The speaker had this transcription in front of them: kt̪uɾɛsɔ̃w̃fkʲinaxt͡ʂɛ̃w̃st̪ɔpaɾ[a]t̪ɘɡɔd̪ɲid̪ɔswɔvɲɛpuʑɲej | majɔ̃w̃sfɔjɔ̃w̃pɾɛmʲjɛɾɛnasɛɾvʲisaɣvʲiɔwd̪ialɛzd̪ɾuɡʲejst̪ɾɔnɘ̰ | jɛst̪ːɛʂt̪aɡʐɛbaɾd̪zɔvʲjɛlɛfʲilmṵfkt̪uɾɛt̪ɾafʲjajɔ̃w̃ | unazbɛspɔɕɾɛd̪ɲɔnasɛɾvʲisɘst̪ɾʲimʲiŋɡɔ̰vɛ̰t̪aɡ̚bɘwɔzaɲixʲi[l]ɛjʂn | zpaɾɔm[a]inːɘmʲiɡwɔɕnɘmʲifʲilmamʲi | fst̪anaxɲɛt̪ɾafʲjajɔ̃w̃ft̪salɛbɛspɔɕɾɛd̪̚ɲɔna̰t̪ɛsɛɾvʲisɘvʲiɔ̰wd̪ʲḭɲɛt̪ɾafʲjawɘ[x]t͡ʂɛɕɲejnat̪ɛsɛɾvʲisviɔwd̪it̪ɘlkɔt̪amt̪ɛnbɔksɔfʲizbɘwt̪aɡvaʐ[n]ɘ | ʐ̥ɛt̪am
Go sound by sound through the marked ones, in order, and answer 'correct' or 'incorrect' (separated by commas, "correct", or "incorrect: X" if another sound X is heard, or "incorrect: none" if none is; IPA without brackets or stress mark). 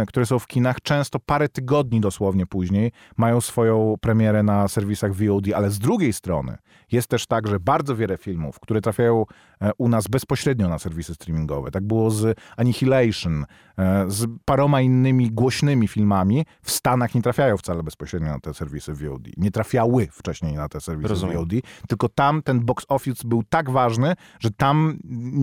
incorrect: ɛ, correct, correct, incorrect: f, correct